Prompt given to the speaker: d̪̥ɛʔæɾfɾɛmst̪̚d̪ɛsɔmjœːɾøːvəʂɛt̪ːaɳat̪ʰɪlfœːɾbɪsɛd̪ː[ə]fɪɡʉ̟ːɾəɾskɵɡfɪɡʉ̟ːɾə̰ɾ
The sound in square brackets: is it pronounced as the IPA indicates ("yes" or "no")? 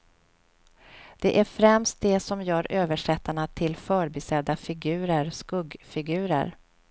no